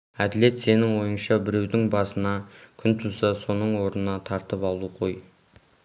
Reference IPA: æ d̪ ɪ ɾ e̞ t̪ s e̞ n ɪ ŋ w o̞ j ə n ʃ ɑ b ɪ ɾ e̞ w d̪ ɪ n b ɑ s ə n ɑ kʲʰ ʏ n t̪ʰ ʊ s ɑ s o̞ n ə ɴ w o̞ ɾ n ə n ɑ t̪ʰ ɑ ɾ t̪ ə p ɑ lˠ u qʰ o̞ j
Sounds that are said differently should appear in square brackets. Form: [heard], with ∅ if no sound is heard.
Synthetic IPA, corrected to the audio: æ d̪ ɪ [l] e̞ t̪ s e̞ n ɪ ŋ w o̞ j ə n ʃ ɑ b ɪ ɾ e̞ w d̪ ɪ [ŋ] b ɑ s ə n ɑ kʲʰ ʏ n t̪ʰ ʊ s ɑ s o̞ n ə ɴ w o̞ ɾ n ə n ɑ t̪ʰ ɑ ɾ t̪ ə p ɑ lˠ u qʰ o̞ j